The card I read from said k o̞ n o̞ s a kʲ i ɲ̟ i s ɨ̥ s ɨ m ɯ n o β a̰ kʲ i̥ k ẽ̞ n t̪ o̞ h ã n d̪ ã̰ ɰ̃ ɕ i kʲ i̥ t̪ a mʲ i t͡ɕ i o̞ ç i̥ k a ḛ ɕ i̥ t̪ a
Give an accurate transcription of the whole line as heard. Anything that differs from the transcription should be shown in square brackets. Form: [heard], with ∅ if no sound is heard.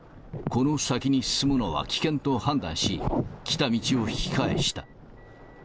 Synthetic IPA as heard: k o̞ n o̞ s a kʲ i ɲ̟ i s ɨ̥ s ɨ m ɯ n o β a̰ kʲ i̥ k ẽ̞ n t̪ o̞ h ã n d̪ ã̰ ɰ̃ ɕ i kʲ i̥ t̪ a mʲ i t͡ɕ i o̞ ç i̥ k a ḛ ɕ i̥ t̪ a